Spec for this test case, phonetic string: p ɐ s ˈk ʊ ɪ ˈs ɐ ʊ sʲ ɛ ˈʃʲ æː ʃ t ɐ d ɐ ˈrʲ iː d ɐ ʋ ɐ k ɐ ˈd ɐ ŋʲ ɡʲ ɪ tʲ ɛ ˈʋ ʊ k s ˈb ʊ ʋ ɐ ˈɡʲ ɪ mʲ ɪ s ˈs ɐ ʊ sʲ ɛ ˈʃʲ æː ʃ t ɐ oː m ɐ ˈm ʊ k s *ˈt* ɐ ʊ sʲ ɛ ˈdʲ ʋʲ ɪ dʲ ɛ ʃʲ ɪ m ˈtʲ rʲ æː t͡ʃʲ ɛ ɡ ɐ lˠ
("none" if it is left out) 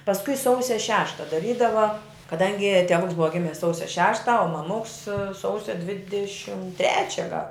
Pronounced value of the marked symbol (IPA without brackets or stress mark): s